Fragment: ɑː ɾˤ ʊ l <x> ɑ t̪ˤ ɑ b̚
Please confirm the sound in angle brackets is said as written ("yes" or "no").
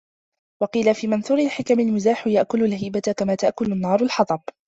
no